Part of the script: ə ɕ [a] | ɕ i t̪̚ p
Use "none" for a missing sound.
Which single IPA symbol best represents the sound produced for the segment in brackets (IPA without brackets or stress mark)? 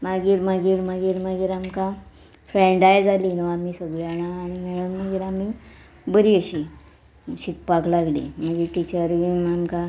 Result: i